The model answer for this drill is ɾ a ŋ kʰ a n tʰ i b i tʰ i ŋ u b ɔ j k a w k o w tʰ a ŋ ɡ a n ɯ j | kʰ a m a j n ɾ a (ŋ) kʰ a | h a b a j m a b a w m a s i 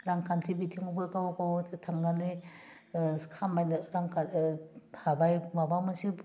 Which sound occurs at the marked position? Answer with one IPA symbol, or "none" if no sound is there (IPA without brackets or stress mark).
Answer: ŋ